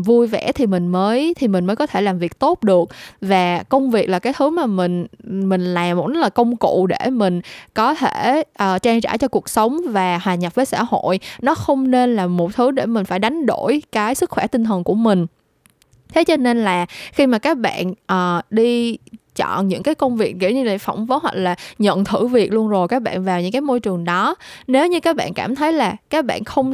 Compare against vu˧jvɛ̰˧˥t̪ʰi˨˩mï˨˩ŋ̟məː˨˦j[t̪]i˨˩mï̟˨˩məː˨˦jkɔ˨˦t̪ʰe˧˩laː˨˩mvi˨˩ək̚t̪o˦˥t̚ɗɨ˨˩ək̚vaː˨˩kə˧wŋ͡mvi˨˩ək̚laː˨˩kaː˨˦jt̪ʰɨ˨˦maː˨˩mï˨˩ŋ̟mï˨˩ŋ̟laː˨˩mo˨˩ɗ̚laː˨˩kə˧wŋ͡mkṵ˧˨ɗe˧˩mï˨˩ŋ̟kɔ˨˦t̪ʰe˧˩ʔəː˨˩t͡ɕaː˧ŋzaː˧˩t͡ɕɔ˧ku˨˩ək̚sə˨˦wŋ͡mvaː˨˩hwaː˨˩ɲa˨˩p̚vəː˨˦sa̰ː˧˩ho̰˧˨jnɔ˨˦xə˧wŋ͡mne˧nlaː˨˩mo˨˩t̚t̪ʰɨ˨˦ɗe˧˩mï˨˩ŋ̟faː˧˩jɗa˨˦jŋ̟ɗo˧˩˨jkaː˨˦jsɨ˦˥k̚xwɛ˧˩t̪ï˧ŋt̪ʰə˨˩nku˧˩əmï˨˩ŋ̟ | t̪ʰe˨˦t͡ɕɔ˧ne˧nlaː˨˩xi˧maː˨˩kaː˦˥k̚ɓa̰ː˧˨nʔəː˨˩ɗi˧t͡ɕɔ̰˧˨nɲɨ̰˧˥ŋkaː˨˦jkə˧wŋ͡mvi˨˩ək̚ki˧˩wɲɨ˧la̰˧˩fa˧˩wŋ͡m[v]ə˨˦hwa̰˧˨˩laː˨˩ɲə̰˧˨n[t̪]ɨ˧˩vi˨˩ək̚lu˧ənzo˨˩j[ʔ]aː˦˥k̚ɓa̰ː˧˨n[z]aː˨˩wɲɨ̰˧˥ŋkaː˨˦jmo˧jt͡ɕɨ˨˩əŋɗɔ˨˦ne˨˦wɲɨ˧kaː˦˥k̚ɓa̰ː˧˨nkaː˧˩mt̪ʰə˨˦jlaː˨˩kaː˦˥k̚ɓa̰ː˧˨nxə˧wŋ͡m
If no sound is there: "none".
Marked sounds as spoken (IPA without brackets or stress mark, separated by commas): t̪ʰ, v, t̪ʰ, k, v